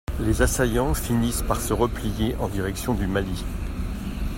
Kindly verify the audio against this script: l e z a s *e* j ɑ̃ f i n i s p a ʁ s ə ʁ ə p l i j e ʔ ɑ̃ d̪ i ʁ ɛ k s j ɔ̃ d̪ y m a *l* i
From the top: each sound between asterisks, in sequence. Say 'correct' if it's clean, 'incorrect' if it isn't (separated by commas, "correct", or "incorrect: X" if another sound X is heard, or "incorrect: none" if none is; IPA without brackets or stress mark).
incorrect: a, correct